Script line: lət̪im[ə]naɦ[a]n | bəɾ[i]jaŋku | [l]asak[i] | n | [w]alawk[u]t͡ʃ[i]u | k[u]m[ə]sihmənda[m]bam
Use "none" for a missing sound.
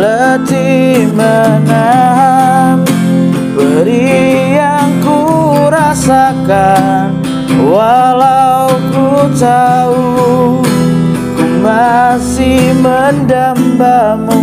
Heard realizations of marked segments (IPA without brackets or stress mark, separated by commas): ə, a, i, ɾ, a, w, u, a, u, a, m